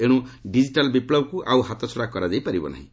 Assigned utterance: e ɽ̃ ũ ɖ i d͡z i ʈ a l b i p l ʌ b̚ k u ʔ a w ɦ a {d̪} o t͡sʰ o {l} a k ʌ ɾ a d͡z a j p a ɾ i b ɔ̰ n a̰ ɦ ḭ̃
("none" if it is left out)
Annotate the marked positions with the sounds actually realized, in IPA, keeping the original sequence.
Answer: t̪, ɽ

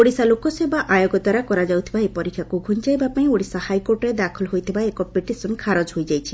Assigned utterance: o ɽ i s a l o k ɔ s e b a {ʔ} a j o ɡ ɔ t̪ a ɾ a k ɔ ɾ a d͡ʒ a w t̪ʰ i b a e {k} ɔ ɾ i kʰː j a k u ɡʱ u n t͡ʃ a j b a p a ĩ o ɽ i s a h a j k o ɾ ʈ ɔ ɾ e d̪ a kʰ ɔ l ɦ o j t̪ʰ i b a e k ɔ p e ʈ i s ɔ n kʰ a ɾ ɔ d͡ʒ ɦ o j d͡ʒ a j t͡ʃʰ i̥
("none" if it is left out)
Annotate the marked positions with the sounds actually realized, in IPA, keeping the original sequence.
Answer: ʔ, p

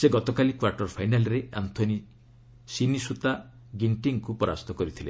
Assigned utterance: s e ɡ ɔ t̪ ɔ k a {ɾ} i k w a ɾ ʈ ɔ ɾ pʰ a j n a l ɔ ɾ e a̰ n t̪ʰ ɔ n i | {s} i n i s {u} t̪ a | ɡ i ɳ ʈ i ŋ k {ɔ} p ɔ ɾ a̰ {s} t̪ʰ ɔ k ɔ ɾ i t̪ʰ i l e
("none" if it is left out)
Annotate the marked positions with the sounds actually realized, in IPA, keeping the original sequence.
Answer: l, s, u, u, s

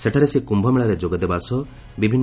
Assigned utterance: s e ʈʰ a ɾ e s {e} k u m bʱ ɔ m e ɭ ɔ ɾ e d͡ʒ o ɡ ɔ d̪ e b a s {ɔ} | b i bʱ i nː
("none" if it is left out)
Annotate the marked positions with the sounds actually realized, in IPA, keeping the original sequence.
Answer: e, ɔ

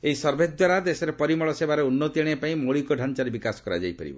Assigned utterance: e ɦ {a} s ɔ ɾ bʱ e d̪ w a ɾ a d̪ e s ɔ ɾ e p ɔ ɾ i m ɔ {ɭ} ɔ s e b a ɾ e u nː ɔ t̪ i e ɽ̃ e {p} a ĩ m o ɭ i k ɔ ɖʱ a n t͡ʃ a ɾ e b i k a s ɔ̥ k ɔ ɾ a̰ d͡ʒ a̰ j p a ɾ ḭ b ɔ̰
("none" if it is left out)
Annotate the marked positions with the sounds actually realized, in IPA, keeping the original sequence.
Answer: i, ɭ, p

